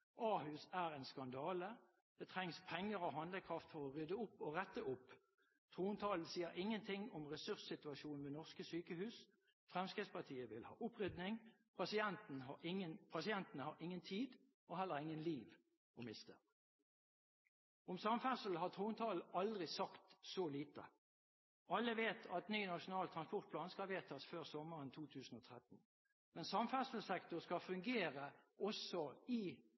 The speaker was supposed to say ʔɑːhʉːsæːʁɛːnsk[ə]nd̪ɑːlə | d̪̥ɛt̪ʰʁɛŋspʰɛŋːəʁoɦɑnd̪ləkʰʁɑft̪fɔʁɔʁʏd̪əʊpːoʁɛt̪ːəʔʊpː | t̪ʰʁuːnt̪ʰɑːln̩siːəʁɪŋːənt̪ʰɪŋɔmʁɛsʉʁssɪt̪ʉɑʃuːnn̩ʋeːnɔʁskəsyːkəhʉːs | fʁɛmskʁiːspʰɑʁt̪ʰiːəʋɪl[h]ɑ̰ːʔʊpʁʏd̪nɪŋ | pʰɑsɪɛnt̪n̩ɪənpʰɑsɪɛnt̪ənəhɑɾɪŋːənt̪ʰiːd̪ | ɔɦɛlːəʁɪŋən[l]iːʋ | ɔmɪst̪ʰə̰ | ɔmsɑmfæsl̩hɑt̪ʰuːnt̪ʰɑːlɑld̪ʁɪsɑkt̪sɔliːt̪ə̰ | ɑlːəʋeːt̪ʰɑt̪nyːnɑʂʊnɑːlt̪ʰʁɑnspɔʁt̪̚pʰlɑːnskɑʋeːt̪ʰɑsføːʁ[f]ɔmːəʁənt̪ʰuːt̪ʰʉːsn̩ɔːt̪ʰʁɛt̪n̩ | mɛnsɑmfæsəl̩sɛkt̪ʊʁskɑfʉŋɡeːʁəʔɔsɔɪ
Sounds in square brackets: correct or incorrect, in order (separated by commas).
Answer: incorrect, correct, correct, incorrect